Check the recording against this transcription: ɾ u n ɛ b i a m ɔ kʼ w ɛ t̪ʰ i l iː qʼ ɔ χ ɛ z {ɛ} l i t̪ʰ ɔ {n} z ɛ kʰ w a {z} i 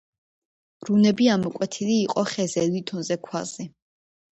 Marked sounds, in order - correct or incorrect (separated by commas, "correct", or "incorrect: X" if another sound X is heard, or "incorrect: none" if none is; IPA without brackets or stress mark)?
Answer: correct, correct, correct